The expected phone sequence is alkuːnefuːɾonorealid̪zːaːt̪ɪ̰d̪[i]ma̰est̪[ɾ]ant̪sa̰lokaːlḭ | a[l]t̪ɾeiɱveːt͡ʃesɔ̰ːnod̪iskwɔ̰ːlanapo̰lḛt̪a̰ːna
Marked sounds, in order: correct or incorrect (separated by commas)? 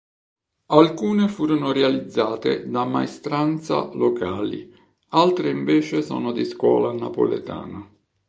incorrect, correct, correct